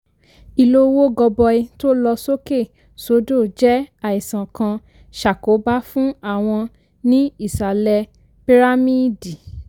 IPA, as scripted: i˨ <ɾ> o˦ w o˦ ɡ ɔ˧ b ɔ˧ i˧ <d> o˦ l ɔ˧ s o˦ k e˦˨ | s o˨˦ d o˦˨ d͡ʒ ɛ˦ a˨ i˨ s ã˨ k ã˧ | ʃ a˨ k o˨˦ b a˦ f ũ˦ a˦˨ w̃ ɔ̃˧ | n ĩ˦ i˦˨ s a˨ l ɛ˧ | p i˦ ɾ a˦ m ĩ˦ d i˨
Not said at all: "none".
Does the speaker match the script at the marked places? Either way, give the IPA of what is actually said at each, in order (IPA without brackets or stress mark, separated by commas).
l, t